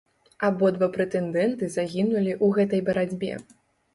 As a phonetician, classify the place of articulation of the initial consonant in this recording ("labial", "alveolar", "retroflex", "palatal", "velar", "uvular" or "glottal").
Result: labial